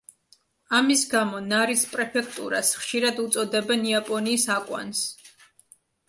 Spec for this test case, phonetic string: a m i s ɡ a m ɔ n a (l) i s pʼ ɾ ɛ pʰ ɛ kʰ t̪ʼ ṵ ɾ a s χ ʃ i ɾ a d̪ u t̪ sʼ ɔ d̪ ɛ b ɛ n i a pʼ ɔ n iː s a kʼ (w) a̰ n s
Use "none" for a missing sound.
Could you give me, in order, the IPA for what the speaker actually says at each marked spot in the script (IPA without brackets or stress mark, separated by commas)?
ɾ, w